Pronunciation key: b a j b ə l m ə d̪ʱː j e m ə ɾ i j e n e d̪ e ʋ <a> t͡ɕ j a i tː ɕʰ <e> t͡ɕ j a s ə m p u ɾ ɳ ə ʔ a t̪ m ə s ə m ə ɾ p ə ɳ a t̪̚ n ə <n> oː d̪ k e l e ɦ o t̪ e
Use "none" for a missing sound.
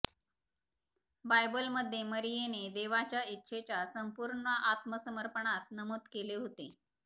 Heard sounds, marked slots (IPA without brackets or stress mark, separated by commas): a, e, m